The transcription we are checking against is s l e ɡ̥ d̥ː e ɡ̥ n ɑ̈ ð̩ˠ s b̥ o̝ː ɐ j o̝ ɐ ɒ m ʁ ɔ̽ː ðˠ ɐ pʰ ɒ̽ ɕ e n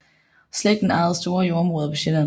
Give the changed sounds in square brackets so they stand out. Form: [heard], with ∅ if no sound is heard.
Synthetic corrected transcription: s l e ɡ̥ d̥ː e [∅] n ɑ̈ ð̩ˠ s [d̥] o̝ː ɐ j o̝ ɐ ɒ m ʁ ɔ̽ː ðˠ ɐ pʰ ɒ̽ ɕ e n